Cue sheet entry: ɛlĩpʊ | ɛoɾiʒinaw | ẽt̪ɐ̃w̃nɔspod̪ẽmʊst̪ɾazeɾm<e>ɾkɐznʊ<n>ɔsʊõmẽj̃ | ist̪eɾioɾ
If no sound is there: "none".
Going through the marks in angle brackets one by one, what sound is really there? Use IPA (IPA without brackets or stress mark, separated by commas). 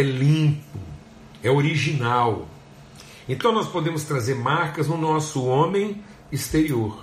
a, n